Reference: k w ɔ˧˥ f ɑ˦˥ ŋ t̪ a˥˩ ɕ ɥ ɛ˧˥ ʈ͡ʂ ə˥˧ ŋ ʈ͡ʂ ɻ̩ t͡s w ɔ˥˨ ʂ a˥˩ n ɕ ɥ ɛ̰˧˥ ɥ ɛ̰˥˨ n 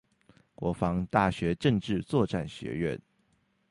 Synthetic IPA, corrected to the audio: k w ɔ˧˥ f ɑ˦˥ ŋ t̪ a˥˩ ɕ ɥ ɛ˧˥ ʈ͡ʂ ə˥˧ ŋ ʈ͡ʂ ɻ̩ t͡s w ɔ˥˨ ʈ͡ʂ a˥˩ n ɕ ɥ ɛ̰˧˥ ɥ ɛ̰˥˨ n